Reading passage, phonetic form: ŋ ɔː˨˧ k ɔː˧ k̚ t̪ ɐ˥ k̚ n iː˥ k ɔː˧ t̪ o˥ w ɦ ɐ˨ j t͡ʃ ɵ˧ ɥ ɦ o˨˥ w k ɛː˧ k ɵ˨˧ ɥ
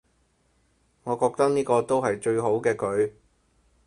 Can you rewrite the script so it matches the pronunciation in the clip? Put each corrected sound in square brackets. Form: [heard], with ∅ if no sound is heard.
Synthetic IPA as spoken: ŋ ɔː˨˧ k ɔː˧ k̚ t̪ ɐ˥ k̚ n iː˥ k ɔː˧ t̪ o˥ w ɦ ɐ˨ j t͡ʃ ɵ˧ ɥ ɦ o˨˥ w k ɛː˧ k ɵ˨˧ ɥ